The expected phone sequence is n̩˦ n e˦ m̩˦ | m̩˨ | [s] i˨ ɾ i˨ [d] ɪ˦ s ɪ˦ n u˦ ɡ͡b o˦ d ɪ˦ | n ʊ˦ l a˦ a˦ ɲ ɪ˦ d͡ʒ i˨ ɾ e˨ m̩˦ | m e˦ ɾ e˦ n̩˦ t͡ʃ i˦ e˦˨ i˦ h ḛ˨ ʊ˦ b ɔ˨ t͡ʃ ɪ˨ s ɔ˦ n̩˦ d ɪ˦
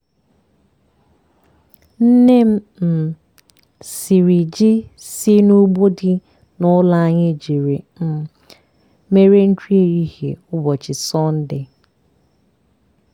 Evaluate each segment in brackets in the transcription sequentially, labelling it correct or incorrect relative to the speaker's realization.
correct, incorrect: d͡ʒ

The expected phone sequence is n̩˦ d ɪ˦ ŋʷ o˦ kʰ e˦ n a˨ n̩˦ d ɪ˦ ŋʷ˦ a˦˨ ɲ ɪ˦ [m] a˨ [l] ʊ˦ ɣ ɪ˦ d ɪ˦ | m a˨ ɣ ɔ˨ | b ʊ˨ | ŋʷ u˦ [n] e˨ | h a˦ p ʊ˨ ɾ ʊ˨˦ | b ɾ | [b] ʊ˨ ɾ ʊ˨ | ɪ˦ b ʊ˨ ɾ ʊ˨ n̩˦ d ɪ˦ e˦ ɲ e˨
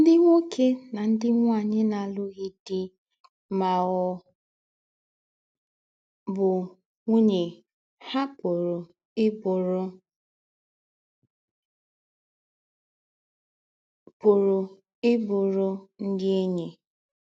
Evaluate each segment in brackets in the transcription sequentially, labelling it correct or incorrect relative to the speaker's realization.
incorrect: n, correct, incorrect: ɲ, incorrect: p

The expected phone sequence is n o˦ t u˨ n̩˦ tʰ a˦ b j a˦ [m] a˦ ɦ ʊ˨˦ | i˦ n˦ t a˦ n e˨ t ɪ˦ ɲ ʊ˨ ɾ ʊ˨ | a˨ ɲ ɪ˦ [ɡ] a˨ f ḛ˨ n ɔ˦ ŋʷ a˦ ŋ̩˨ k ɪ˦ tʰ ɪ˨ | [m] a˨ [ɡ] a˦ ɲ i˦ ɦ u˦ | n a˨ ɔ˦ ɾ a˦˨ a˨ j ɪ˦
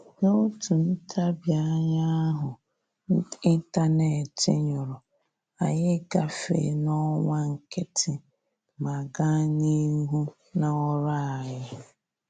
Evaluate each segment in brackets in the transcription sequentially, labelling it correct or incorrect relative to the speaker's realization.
incorrect: ɲ, correct, correct, correct

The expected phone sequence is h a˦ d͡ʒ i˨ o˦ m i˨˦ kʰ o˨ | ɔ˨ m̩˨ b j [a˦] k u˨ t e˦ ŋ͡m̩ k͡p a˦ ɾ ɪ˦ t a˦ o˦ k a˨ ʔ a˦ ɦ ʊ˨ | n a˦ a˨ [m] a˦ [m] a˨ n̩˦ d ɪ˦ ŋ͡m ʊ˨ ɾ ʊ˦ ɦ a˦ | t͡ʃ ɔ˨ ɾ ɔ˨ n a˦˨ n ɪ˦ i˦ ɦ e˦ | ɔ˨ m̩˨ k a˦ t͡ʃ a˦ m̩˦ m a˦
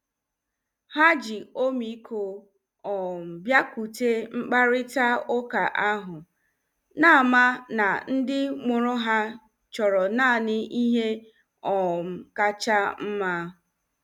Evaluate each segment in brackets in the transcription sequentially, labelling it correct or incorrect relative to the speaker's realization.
correct, correct, incorrect: n

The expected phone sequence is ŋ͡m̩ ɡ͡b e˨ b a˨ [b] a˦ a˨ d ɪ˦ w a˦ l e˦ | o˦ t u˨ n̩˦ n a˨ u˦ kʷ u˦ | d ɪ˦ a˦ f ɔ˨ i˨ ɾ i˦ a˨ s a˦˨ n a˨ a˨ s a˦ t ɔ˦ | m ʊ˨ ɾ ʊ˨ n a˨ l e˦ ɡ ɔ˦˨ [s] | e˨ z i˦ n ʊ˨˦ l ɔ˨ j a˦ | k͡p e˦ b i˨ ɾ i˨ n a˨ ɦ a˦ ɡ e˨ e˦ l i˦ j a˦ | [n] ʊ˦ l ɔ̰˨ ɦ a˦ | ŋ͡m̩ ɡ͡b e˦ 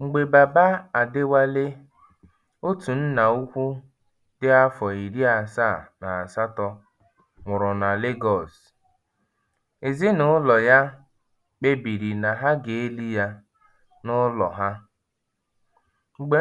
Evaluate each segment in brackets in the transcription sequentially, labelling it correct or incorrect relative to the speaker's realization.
correct, correct, correct

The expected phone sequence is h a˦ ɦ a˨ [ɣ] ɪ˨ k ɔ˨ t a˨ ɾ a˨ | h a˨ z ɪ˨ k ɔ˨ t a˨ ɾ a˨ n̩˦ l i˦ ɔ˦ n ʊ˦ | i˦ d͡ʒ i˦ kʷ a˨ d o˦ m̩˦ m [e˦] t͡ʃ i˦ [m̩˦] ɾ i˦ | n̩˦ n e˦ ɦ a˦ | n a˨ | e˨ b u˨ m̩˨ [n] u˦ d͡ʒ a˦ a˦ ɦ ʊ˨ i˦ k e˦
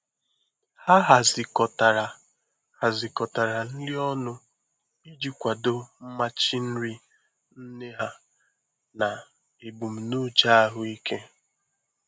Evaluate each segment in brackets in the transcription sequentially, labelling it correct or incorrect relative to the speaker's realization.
incorrect: z, incorrect: a˦, incorrect: n̩˦, correct

